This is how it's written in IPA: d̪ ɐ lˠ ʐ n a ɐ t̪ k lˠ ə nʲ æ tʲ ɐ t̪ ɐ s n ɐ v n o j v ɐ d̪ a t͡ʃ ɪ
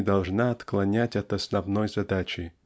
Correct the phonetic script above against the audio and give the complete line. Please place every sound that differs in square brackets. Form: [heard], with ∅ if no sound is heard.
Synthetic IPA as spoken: d̪ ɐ lˠ ʐ n a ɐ t̪ k lˠ [ɐ] nʲ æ tʲ ɐ t̪ ɐ s n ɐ v n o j [z] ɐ d̪ a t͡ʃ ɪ